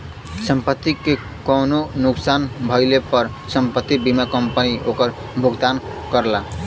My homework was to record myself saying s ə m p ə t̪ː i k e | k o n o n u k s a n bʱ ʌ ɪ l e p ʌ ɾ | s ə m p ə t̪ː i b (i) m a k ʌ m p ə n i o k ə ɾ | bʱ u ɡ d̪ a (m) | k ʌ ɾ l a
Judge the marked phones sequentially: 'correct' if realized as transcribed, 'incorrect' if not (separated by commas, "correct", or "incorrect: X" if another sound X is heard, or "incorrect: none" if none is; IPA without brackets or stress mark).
correct, incorrect: n